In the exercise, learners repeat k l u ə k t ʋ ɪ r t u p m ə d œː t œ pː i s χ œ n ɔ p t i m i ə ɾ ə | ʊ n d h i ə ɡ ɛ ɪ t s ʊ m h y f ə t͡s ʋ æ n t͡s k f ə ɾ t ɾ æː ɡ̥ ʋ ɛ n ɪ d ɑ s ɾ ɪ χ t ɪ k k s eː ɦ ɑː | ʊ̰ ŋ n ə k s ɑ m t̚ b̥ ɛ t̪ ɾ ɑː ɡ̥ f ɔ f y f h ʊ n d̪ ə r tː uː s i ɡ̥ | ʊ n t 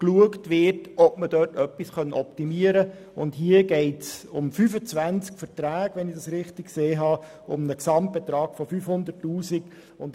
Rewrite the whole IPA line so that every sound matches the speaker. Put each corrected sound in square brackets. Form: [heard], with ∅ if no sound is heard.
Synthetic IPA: k l u ə k t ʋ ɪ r t [ɔ] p m ə d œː t œ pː i s χ œ n ɔ p t i m i ə ɾ ə | ʊ n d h i ə ɡ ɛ ɪ t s ʊ m [f] y f ə t͡s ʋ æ n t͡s k f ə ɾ t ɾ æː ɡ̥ ʋ ɛ n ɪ d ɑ s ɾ ɪ χ t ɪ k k s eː ɦ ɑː | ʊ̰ [m] n ə k s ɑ m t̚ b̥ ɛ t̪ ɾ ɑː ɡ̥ f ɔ f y f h ʊ n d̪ ə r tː uː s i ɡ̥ | ʊ n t